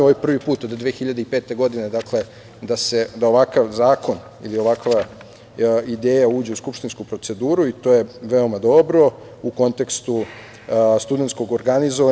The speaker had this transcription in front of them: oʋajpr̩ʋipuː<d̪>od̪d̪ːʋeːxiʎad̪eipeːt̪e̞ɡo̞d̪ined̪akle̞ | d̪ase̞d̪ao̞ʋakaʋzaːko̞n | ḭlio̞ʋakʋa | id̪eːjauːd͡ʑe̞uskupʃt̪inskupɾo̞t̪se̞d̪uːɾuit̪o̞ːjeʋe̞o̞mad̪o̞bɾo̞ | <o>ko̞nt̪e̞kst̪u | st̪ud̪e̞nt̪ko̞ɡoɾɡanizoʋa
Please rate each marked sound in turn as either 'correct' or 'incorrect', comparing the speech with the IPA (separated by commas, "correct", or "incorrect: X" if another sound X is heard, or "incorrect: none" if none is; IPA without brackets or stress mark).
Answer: incorrect: t̪, incorrect: u